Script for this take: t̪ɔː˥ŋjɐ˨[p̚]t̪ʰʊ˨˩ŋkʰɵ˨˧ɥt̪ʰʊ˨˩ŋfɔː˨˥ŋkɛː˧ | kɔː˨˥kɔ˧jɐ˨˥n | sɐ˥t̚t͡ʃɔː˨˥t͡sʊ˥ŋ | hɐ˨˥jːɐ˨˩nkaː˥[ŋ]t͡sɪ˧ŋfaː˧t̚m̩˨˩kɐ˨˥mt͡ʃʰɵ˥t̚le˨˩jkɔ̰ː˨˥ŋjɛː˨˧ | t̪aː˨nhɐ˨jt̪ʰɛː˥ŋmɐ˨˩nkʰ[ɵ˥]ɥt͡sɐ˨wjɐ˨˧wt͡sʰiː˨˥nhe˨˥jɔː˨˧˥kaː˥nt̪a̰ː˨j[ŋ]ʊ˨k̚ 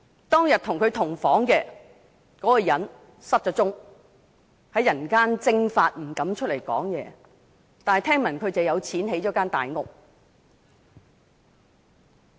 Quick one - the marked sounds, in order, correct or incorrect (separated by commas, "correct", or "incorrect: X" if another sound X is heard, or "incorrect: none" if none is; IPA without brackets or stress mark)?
incorrect: t̚, incorrect: n, incorrect: ɵ˨˧, correct